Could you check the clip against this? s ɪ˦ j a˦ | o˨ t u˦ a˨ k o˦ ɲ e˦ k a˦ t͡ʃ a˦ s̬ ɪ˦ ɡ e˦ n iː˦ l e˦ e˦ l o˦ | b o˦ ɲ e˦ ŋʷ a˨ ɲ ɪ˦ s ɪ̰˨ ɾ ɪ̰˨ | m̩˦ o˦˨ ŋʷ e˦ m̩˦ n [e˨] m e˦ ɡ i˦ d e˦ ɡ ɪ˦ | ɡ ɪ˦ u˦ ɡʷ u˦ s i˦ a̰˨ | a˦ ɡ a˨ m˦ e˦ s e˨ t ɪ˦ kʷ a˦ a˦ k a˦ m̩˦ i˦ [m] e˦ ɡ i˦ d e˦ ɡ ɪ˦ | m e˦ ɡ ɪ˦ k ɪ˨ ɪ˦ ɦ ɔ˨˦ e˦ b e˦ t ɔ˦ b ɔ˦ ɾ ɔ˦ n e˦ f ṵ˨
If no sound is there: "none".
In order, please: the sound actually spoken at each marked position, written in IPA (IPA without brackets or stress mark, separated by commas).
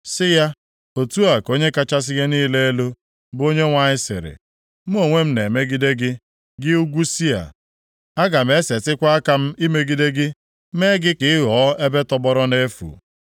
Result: e˨, m